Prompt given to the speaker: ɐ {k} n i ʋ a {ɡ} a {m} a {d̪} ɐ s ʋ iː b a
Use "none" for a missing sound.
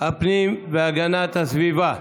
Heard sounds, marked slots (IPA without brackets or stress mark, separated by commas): p, ɡ, n, t̪